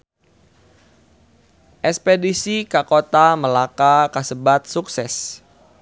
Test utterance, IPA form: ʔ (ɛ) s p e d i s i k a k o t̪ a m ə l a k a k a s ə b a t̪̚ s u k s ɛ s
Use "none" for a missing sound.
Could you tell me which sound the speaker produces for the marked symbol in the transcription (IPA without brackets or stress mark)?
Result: ɛ